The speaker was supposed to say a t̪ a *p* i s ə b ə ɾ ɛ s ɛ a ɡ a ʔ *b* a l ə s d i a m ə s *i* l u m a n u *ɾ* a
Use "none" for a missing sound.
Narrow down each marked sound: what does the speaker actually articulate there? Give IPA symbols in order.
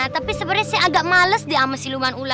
p, m, i, l

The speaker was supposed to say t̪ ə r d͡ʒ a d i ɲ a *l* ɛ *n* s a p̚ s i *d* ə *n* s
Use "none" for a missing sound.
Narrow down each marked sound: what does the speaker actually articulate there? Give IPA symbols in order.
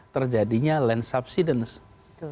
l, n, d, n

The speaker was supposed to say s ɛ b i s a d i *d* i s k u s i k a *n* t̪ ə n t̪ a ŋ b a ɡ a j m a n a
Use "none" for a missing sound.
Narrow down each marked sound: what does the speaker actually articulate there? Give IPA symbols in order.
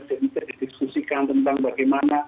d, n

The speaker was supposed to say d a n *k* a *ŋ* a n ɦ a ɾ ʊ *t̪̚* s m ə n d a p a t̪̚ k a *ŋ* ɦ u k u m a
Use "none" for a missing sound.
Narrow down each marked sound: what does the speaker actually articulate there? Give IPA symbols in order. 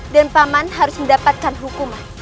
p, m, none, n

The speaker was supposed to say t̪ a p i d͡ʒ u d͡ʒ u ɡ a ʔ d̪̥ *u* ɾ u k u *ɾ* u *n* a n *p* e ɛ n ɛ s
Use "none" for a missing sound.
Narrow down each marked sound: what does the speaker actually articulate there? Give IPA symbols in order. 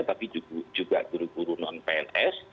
u, ɾ, n, p

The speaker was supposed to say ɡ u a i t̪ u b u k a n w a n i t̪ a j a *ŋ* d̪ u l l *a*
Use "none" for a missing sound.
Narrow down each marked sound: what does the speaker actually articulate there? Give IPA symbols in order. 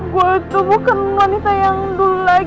ŋ, a

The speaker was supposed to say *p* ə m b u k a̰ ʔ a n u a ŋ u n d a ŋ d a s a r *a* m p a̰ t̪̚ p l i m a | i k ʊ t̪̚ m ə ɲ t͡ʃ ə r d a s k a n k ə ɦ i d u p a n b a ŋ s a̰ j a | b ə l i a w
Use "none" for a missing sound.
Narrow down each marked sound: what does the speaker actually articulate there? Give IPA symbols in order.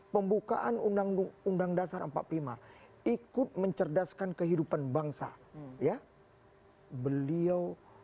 p, ə

